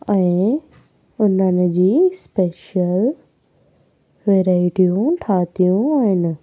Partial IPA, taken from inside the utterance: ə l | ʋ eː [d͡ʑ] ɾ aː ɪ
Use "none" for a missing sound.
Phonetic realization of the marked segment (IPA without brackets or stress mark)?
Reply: none